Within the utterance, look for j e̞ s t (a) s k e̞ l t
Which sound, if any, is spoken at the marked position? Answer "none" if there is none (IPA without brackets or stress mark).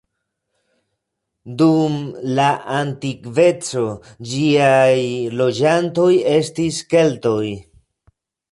i